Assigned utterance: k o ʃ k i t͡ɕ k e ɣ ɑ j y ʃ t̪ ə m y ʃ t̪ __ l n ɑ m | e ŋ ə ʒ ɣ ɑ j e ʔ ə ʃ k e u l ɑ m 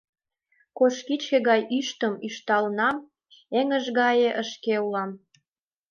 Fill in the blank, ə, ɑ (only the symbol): ɑ